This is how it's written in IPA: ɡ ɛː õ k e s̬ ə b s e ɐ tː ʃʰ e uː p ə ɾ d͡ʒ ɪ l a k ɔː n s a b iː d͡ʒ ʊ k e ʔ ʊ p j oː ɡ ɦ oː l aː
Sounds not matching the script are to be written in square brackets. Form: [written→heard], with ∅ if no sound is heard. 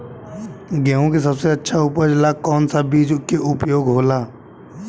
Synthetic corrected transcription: ɡ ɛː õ k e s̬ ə b s e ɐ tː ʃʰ [e→a] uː p ə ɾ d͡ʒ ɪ l a k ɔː n s a b iː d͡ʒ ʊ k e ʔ ʊ p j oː ɡ ɦ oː l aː